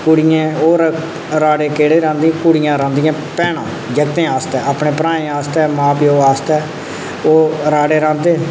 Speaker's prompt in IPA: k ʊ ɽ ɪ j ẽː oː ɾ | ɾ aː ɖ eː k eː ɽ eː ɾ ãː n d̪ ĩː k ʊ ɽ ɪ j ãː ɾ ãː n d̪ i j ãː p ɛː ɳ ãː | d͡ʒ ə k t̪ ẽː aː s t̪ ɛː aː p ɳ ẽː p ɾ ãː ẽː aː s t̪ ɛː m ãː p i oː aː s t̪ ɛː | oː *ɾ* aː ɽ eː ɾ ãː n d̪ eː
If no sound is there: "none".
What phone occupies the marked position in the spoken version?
ɾ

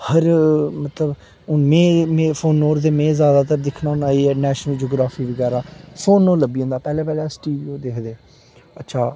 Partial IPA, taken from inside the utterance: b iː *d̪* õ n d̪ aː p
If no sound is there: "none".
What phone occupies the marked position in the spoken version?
none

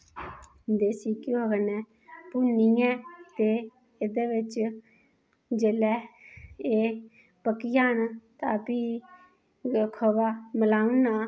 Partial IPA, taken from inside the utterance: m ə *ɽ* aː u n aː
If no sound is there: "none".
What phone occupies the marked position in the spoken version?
l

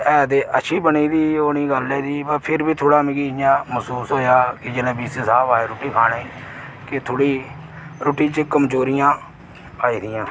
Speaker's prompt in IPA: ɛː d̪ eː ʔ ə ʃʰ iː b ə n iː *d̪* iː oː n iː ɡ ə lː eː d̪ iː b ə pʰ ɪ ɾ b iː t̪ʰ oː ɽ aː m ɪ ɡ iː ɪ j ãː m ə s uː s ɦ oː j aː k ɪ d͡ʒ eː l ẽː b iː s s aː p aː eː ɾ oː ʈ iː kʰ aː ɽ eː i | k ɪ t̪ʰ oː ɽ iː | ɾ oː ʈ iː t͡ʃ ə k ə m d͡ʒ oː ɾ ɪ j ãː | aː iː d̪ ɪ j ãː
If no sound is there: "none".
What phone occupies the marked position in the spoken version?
d̪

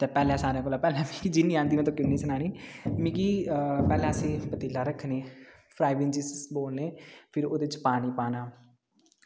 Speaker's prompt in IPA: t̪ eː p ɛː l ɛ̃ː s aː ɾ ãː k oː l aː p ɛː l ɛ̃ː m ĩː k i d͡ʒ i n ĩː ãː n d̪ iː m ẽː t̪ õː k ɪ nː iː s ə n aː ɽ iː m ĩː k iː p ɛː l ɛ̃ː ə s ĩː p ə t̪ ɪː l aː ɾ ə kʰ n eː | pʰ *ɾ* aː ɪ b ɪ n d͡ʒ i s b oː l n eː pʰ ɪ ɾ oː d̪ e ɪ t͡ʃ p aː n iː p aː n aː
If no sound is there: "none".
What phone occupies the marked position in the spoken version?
ɾ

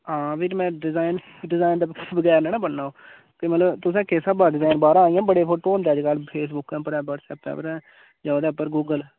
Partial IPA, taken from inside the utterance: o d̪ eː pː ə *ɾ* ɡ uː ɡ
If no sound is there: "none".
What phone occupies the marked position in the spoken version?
ɾ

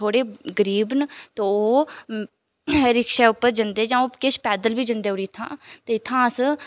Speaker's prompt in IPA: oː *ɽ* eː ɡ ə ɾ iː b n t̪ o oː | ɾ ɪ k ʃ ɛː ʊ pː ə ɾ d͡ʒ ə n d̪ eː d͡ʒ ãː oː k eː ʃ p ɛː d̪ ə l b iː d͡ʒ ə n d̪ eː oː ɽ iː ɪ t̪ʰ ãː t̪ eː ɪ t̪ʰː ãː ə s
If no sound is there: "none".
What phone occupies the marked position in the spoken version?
ɽ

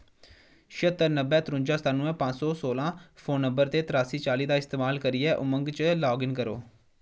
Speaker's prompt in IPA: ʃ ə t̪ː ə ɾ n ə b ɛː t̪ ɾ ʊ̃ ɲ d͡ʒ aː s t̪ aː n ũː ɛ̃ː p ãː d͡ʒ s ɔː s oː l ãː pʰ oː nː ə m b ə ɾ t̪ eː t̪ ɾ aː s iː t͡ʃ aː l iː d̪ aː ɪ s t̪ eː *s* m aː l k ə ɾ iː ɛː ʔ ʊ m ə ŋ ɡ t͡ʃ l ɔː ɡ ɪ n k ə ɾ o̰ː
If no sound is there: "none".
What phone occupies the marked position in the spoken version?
none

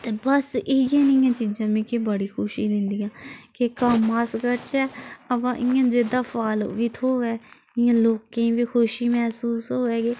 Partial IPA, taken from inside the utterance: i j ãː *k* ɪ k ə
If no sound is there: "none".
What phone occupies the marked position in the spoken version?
k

